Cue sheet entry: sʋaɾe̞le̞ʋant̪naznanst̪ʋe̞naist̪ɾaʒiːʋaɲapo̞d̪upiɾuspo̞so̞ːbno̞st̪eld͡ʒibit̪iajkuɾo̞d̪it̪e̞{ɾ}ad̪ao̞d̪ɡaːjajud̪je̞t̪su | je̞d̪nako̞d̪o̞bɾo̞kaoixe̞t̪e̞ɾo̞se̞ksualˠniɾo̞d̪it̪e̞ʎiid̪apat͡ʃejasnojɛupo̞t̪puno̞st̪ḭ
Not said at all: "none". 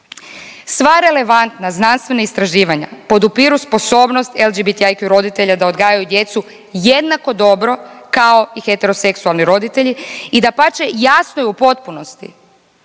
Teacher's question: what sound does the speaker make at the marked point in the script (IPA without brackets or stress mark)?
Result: ʎ